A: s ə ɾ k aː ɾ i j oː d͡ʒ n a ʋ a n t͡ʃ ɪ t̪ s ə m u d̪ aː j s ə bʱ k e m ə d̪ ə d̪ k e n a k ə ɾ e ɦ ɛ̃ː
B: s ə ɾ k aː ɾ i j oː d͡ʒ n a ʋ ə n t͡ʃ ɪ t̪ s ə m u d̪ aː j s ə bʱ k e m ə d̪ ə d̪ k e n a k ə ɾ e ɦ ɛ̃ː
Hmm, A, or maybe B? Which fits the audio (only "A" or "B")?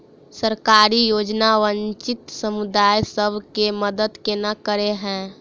B